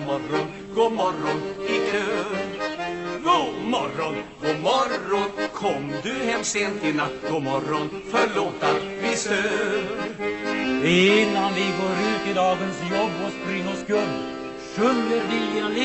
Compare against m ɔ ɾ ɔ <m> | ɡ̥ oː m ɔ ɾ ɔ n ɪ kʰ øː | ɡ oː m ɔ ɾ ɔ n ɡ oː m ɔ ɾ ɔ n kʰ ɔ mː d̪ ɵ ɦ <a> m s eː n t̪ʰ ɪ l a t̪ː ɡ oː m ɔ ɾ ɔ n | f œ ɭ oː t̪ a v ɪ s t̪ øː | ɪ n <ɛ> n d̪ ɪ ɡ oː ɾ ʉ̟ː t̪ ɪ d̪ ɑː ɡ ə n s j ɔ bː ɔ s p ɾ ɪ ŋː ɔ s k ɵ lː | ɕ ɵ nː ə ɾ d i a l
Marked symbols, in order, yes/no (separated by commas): no, no, no